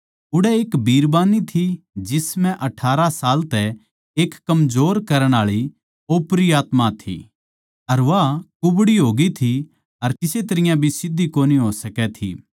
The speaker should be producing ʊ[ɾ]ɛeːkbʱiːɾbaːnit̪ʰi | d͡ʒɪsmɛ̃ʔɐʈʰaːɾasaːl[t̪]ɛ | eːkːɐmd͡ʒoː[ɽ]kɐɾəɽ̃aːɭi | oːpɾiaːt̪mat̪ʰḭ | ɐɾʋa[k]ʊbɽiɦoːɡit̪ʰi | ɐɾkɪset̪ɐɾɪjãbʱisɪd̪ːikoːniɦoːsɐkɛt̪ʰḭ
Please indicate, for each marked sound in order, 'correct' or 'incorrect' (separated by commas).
incorrect, correct, incorrect, correct